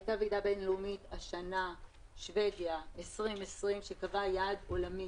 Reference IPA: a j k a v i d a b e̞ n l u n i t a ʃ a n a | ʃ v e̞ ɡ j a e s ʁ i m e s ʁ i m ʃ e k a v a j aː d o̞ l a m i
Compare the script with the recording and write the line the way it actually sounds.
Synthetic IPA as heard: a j t a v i d a b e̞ n l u m i t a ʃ a n a | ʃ v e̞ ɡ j a e s ʁ i m e s ʁ i m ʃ e k a v a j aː d o̞ l a m i

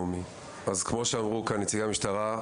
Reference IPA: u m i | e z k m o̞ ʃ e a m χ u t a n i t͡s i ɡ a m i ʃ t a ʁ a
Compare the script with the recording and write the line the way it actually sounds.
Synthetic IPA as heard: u m i | a z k m o̞ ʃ e a m ʁ u k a n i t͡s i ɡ a m i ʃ t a ʁ a

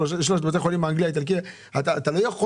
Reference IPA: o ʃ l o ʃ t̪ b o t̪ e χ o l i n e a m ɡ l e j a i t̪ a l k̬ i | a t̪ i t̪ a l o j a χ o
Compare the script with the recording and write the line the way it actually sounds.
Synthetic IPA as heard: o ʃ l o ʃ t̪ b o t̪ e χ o l i m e a ŋ ɡ l i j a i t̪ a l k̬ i | a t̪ a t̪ a l o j a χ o

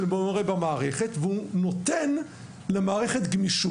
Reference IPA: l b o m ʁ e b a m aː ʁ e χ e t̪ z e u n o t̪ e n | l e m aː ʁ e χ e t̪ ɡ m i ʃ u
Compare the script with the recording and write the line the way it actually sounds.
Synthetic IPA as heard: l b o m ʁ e b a m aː ʁ e χ e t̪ v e u n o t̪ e n | l e m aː ʁ e χ e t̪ ɡ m i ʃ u

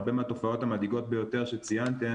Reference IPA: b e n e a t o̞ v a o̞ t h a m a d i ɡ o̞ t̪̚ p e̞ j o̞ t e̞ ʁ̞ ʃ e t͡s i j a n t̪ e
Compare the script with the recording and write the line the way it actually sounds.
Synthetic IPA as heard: b e m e a t o̞ f a o̞ t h a m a d i ɡ o̞ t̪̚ b e̞ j o̞ t e̞ ʁ̞ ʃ e t͡s i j a n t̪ e

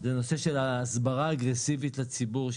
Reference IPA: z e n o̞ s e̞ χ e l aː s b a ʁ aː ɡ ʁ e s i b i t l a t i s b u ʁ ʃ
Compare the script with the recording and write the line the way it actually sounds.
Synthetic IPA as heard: z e n o̞ s e̞ ʃ e l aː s b a ʁ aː ɡ ʁ e s i v i t l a t͡s i b u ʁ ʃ

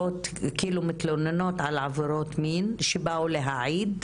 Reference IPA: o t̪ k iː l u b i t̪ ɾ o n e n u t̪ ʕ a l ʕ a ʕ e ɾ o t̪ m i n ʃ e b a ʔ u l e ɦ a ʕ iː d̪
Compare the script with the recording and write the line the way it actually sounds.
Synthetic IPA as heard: o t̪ k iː l u m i t̪ l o n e n o t̪ ʕ a l ʕ a v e ɾ o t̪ m i n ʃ e b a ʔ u l e ɦ a ʕ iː d̪

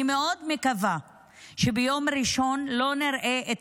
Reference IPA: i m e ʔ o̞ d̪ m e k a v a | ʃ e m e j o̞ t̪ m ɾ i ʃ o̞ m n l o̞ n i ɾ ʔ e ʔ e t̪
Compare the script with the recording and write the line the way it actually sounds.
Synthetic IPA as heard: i m e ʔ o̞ d̪ m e k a v a | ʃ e b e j o̞ m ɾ i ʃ o̞ n l o̞ n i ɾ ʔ e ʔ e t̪

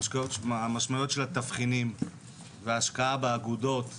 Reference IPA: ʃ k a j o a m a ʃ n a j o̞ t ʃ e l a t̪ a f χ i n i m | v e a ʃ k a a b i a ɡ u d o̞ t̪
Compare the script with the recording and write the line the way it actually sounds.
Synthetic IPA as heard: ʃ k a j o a m a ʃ m a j o̞ t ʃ e l a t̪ a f χ i n i m | v e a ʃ k a a b e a ɡ u d o̞ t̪

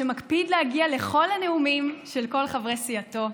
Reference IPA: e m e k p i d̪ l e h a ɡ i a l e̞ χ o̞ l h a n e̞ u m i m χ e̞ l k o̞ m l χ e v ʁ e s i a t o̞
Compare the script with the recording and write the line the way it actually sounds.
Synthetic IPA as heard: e m a k p i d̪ l e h a ɡ i a l e̞ χ o̞ l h a n e̞ u m i m ʃ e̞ l k o̞ l χ a v ʁ e s i a t o̞

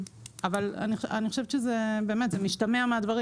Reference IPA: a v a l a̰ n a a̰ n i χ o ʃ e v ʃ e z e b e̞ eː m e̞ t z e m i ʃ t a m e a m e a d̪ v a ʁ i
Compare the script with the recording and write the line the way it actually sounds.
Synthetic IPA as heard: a v a l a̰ n i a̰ n i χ o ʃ e v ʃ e z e b e̞ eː m e̞ t z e m i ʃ t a m e a m e a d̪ v a ʁ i

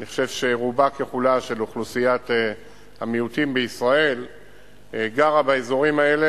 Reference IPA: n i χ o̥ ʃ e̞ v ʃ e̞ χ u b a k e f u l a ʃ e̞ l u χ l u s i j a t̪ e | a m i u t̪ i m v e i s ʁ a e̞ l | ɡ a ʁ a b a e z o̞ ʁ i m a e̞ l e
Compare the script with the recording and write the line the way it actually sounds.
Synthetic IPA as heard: n i χ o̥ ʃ e̞ v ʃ e̞ ʁ u b a k e χ u l a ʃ e̞ l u χ l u s i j a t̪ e | a m i u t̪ i m b e i s ʁ a e̞ l | ɡ a ʁ a b a e z o̞ ʁ i m a e̞ l e

